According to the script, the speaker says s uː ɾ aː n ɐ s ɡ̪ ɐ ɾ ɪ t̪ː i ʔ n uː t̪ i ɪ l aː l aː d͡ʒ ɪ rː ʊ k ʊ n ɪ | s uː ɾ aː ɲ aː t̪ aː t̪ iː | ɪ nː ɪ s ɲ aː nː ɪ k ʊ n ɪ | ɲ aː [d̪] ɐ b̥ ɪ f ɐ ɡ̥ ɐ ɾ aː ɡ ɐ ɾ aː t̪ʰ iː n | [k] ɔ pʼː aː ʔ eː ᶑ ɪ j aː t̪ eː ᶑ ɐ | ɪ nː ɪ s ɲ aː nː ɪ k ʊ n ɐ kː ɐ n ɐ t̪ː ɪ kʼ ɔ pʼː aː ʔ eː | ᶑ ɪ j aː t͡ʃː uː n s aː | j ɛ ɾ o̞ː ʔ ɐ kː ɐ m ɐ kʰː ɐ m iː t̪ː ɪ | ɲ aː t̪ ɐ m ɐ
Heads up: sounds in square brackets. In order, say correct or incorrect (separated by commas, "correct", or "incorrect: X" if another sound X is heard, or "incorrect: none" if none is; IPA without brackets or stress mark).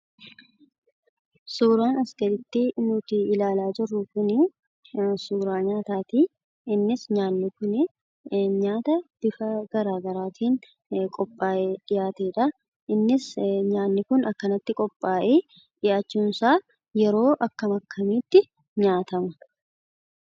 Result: incorrect: t̪, incorrect: kʼ